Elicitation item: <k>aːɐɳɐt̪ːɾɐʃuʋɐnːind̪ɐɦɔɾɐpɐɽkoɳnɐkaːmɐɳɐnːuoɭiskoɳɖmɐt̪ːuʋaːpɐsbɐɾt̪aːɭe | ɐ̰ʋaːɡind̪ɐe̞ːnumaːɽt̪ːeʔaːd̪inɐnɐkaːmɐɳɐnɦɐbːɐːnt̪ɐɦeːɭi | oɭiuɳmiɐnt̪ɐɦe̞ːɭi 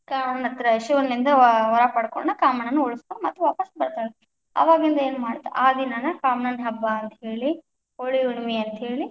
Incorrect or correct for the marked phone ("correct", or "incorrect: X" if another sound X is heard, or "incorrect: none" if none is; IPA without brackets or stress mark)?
correct